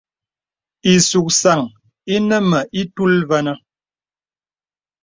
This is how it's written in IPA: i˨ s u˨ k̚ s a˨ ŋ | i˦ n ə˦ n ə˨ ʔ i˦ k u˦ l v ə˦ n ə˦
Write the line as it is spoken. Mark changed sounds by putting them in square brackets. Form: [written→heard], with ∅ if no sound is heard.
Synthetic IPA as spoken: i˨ s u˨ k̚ s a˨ ŋ | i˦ n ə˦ [n→m] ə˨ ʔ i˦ [k→t] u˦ l v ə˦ n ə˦